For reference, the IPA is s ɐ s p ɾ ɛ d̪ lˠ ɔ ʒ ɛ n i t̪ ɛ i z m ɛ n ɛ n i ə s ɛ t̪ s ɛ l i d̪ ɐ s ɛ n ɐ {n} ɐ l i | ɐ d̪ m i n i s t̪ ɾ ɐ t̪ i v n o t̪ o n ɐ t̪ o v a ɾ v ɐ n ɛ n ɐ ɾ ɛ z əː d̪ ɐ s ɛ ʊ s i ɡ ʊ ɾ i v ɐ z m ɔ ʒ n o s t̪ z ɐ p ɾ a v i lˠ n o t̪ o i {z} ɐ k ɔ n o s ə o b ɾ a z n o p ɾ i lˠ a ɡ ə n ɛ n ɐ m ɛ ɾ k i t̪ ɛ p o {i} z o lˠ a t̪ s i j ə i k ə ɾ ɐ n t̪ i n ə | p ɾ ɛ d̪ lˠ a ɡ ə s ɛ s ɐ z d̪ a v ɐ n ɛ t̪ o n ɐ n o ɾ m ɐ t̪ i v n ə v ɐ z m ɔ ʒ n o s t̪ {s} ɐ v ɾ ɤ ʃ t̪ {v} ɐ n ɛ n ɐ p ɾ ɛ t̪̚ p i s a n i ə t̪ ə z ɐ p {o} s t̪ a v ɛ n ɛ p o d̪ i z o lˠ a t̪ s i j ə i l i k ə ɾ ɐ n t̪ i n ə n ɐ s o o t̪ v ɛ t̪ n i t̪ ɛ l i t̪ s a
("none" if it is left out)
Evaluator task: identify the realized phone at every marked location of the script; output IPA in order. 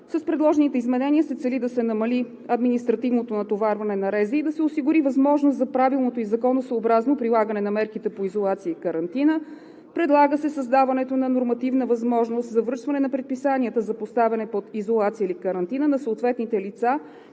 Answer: m, z, i, z, v, o

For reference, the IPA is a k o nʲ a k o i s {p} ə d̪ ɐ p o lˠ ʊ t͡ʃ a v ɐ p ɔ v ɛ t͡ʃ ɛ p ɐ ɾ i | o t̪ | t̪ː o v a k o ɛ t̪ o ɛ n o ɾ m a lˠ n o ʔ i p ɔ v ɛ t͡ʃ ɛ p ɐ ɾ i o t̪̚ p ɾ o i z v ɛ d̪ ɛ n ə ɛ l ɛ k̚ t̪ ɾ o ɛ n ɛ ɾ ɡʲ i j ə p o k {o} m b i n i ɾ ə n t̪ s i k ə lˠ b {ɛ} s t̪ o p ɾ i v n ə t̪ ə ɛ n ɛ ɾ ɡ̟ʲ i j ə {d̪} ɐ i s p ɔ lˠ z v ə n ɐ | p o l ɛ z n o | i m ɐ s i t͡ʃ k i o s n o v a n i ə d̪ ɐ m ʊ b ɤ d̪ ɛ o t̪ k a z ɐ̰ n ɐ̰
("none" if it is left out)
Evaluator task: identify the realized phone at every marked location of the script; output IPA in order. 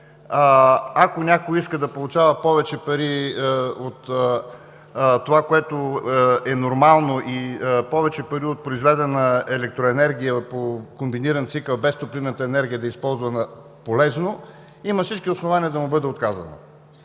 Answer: k, o, ɛ, d̪

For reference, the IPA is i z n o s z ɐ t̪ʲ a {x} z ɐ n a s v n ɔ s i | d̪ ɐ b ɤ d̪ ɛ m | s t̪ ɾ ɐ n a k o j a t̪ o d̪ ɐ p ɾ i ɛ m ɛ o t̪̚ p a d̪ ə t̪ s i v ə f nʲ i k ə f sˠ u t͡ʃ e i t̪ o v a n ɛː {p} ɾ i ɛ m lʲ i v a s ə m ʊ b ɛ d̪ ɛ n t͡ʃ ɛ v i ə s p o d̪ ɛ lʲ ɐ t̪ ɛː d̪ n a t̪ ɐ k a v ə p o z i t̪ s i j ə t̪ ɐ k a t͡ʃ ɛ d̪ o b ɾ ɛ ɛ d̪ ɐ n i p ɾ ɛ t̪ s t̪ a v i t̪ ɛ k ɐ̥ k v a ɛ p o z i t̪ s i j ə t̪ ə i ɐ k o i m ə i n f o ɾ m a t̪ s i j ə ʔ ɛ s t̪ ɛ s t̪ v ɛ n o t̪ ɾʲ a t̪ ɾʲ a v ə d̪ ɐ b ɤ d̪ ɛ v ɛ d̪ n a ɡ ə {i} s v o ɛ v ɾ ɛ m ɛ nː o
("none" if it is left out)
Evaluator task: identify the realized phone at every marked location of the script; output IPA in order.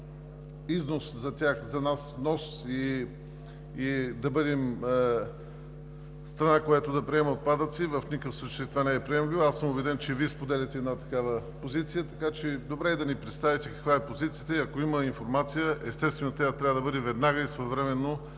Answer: x, p, i

